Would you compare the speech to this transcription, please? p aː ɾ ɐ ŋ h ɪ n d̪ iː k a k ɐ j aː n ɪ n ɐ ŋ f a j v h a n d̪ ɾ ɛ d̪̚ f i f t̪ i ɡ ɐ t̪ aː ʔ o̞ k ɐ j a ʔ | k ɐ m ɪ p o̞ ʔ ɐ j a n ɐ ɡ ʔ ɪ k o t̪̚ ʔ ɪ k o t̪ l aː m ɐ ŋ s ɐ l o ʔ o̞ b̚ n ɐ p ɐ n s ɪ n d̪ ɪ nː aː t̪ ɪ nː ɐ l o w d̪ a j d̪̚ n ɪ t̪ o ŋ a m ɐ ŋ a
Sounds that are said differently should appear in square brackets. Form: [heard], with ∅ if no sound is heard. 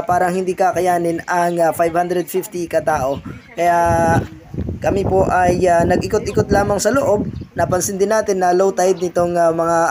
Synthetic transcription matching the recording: p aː ɾ ɐ ŋ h ɪ n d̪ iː k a k ɐ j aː n ɪ n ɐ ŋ f a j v h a n d̪ ɾ ɛ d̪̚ f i f t̪ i [k] ɐ t̪ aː ʔ o̞ k ɐ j a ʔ | k ɐ m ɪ p o̞ ʔ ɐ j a n ɐ ɡ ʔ ɪ k o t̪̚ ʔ ɪ k o t̪ l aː m ɐ ŋ s ɐ l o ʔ o̞ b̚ n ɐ p ɐ n s ɪ n d̪ ɪ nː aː t̪ ɪ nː ɐ l o w [t̪] a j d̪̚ n ɪ t̪ o ŋ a m ɐ ŋ a